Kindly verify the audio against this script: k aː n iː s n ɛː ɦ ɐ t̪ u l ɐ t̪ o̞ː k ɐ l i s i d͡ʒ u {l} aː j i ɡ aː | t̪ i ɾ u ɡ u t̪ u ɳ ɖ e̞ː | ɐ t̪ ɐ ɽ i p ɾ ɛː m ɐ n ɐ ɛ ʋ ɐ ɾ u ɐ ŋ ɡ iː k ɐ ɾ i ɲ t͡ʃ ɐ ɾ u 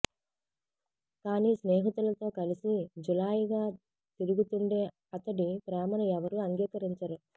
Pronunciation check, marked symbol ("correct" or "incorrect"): correct